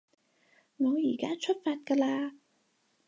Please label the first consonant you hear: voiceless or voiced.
voiced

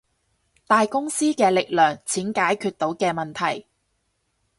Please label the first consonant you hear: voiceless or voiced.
voiceless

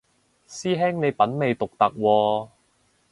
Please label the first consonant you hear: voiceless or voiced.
voiceless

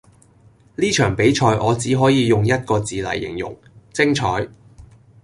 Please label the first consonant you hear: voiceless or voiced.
voiced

